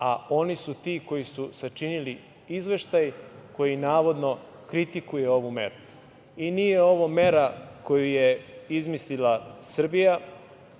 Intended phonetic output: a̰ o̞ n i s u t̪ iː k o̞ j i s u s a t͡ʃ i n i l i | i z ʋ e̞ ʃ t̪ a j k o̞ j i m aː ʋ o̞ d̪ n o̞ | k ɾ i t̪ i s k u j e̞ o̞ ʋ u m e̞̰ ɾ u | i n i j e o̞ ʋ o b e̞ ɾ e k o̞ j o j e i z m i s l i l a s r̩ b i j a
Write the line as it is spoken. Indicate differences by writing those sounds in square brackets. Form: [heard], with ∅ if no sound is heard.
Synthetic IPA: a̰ o̞ n i s u t̪ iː k o̞ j i s u s a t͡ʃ i n i l i | i z ʋ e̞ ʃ t̪ a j k o̞ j i [n] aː ʋ o̞ d̪ n o̞ | k ɾ i t̪ i [∅] k u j e̞ o̞ ʋ u m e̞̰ ɾ u | i n i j e o̞ ʋ o [m] e̞ ɾ [a] k o̞ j [u] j e i z m i s l i l a s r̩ b i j a